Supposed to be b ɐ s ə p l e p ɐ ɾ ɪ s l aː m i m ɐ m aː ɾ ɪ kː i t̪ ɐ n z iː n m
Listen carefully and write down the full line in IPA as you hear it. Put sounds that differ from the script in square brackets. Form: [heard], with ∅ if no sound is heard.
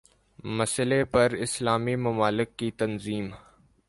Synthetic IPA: [m] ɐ s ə [∅] l e p ɐ ɾ ɪ s l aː m i m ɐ m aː [l] ɪ kː i t̪ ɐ n z iː [∅] m

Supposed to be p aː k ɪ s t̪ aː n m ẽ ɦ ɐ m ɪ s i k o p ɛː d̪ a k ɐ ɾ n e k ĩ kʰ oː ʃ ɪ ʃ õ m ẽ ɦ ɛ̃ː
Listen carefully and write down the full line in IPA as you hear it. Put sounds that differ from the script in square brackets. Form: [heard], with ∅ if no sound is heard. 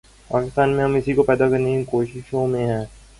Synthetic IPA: p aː k ɪ s t̪ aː n m ẽ ɦ ɐ m ɪ s i k o p ɛː d̪ a k ɐ ɾ n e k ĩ [k] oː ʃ ɪ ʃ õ m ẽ ɦ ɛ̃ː

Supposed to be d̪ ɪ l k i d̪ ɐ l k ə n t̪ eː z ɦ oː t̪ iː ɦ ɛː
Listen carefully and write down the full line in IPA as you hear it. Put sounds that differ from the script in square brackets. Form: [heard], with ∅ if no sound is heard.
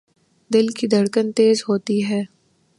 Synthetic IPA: d̪ ɪ l k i d̪ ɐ [ɽ] k ə n t̪ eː z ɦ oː t̪ [i] ɦ ɛː

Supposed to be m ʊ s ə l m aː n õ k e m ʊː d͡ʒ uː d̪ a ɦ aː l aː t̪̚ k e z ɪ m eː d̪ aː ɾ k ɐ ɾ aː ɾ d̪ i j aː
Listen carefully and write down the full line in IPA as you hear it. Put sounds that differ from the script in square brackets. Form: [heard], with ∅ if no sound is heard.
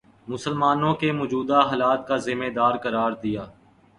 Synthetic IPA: m ʊ s ə l m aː n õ k e m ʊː d͡ʒ uː d̪ a ɦ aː l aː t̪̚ k [a] z ɪ m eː d̪ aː ɾ k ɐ ɾ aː ɾ d̪ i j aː

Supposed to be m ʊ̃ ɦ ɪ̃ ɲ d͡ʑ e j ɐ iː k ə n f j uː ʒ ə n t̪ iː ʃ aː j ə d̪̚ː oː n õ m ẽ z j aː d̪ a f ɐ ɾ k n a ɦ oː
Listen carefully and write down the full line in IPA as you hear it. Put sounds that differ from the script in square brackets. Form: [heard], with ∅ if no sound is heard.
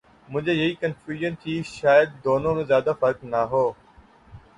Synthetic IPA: m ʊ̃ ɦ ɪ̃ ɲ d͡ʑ e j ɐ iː k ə n f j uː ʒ ə n [t̪ʰ] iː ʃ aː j ə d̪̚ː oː n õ m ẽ z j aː d̪ a f ɐ ɾ k n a ɦ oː

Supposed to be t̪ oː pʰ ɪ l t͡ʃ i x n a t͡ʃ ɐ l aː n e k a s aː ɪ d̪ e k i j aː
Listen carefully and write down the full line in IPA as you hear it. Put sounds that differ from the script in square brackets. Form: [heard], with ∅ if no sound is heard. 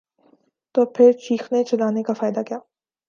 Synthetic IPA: t̪ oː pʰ ɪ [ɾ] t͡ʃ [iː] x n [e] t͡ʃ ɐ l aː n e k a [f] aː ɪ d̪ [a] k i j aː

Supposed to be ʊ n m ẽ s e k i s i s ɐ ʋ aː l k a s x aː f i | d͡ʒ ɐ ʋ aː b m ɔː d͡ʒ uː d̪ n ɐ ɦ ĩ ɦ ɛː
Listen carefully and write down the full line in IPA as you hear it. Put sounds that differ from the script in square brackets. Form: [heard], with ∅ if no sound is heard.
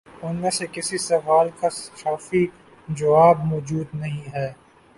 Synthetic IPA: ʊ n m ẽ s e k [ɪ] s i s ɐ ʋ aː l k a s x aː f i | d͡ʒ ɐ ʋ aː b m ɔː d͡ʒ uː d̪ n ɐ ɦ ĩ ɦ ɛː

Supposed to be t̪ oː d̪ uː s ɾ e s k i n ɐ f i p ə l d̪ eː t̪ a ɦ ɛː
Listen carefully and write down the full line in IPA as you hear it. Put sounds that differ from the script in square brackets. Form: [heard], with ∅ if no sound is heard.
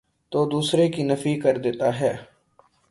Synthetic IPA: t̪ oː d̪ uː s ɾ e [∅] k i n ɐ f i [k] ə [ɾ] d̪ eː t̪ a ɦ ɛː

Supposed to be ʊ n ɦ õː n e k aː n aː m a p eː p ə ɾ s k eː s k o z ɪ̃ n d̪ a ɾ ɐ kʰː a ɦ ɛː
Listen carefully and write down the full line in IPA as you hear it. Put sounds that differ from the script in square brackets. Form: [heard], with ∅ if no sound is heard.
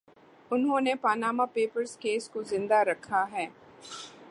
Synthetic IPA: ʊ n ɦ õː n e [p] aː n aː m a p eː p ə ɾ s k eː s k o z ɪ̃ n d̪ a ɾ ɐ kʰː a ɦ ɛː

